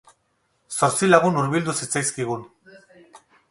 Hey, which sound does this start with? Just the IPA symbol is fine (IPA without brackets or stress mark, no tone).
s